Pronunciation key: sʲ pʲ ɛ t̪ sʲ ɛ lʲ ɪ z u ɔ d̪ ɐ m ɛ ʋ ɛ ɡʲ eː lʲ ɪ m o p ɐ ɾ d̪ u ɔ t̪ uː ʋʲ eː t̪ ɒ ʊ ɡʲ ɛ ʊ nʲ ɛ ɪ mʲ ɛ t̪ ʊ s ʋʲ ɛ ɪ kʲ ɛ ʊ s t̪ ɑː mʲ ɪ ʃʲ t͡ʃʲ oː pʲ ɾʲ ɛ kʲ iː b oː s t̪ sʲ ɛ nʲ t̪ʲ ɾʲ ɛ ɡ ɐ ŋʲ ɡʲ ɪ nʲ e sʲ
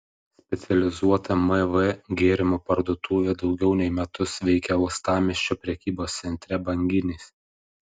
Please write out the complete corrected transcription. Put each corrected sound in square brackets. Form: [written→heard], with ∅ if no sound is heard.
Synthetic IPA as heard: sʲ pʲ ɛ t̪ sʲ ɛ lʲ ɪ z u ɔ [d̪→t̪] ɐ m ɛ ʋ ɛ ɡʲ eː [lʲ→ɾʲ] ɪ m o p ɐ ɾ d̪ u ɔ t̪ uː ʋʲ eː [t̪→d̪] ɒ ʊ ɡʲ ɛ ʊ nʲ ɛ ɪ mʲ ɛ t̪ ʊ s ʋʲ ɛ ɪ kʲ ɛ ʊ s t̪ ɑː mʲ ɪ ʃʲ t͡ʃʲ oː pʲ ɾʲ ɛ kʲ iː b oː s t̪ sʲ ɛ nʲ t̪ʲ ɾʲ ɛ [ɡ→b] ɐ ŋʲ ɡʲ ɪ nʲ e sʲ